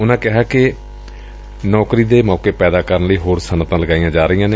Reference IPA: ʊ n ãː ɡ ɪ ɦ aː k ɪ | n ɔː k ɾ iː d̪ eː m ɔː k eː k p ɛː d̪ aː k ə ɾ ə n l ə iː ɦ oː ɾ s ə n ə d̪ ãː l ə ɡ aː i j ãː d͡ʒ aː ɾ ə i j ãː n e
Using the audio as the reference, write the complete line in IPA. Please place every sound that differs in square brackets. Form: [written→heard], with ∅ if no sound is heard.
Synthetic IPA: ʊ n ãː [ɡ→k] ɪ ɦ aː k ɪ | n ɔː k ɾ iː d̪ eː m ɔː k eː [k→∅] p ɛː d̪ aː k ə ɾ ə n l ə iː ɦ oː ɾ s ə n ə [d̪→t̪] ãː l ə ɡ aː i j ãː d͡ʒ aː ɾ ə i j ãː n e